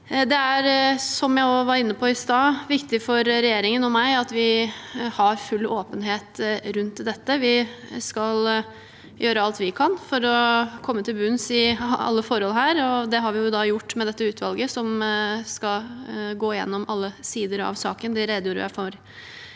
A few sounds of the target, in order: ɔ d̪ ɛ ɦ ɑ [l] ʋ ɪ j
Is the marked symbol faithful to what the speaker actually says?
no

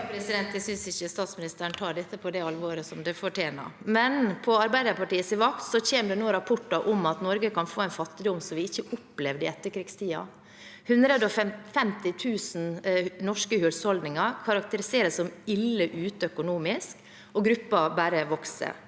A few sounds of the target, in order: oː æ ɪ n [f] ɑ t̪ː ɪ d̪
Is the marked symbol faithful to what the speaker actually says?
yes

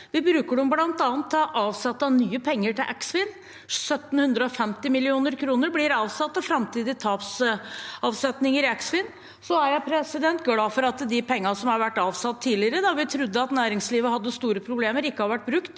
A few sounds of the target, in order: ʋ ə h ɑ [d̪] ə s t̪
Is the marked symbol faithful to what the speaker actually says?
no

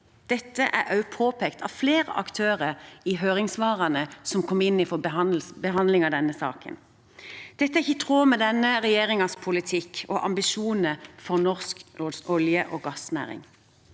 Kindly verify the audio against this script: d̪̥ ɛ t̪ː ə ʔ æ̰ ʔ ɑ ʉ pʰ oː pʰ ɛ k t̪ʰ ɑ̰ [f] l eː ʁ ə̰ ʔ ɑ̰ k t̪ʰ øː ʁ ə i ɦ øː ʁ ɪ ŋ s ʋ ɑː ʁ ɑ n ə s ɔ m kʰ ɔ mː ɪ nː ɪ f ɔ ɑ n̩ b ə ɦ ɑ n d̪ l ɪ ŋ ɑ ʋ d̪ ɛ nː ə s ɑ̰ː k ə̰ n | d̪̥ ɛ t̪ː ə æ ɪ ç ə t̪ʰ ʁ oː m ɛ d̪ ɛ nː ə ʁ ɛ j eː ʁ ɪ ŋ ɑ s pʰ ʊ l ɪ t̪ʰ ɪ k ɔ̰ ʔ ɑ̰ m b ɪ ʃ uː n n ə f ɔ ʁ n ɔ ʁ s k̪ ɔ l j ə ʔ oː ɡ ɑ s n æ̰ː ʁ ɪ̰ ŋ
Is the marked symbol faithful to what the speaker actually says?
yes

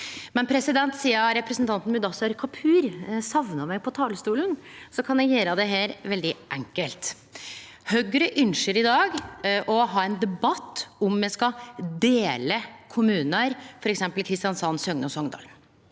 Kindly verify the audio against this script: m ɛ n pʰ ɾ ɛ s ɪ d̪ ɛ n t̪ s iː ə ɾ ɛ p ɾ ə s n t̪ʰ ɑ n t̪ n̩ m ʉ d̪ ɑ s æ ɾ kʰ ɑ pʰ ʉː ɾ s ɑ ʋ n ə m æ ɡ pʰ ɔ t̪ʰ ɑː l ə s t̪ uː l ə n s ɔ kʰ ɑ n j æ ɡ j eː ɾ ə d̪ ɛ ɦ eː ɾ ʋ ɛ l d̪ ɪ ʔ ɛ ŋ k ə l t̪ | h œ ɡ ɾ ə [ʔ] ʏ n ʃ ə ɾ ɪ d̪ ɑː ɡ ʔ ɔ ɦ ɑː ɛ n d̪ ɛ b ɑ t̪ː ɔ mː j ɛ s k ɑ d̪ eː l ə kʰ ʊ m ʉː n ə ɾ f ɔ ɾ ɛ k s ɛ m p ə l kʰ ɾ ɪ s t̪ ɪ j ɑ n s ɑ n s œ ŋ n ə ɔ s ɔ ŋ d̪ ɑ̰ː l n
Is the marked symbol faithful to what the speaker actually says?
yes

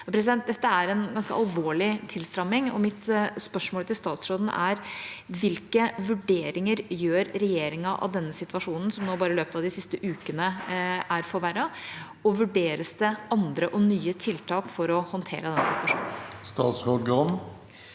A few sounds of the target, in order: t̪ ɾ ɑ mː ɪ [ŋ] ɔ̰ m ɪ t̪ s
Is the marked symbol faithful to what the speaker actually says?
yes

